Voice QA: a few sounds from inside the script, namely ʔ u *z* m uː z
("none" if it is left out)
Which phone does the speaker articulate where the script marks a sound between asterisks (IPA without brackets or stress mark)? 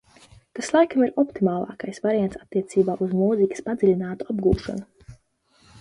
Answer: z